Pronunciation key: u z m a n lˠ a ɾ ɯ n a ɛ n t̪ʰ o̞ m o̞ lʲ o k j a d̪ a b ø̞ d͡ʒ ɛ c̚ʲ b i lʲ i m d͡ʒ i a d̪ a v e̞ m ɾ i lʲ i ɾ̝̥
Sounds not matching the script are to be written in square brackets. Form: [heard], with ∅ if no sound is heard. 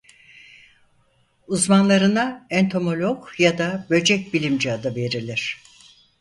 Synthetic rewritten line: u z m a n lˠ a ɾ ɯ n a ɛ n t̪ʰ o̞ m o̞ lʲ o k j a d̪ a b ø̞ d͡ʒ ɛ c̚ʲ b i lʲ i m d͡ʒ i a d̪ a v e̞ [∅] ɾ i lʲ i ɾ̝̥